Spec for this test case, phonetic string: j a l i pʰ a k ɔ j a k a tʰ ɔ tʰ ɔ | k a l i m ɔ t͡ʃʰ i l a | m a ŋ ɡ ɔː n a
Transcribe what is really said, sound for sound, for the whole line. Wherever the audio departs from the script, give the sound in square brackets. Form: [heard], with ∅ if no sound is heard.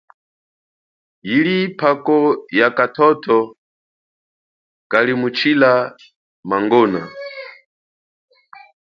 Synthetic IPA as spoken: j [i] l i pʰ a k ɔ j a k a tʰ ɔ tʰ ɔ | k a l i m [u] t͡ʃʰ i l a | m a ŋ ɡ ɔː n a